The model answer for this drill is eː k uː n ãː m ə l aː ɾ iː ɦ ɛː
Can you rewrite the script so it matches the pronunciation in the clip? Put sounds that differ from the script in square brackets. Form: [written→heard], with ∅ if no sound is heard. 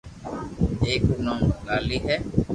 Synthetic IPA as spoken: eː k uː n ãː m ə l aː [ɾ→l] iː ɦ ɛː